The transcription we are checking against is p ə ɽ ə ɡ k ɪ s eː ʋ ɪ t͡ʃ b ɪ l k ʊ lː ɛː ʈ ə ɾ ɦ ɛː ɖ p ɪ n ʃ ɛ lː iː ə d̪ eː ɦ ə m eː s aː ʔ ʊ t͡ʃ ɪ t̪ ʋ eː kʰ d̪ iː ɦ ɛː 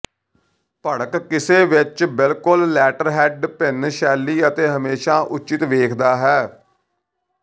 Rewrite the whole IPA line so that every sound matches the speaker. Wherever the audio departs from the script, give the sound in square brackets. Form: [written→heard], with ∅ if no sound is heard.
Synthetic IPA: p ə ɽ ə [ɡ→k] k ɪ s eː ʋ ɪ t͡ʃ b ɪ l k ʊ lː ɛː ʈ ə ɾ ɦ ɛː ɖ p ɪ n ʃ [ɛ→ɛː] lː iː ə [d̪→t̪] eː ɦ ə m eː [s→ʃ] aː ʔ ʊ t͡ʃ ɪ t̪ ʋ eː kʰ d̪ [iː→aː] ɦ ɛː